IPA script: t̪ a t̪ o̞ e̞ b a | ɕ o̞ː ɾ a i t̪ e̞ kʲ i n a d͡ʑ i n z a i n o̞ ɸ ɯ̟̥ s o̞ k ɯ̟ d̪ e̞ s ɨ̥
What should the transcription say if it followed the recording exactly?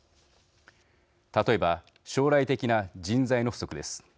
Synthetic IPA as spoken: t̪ a t̪ o̞ e̞ b a | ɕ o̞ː ɾ a i t̪ e̞ kʲ i n a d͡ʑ ĩ n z a i n o̞ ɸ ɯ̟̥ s o̞ k ɯ̟ d̪ e̞ s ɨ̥